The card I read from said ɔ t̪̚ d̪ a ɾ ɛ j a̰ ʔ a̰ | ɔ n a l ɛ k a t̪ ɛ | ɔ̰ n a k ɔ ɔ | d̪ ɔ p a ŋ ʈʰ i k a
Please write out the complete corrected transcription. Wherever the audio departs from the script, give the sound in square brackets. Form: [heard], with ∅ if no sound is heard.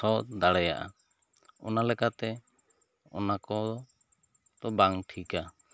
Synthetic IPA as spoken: ɔ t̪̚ d̪ a [ɽ] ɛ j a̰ ʔ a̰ | ɔ n a l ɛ k a t̪ ɛ | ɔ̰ n a k ɔ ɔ | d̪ ɔ [b] a ŋ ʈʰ i k a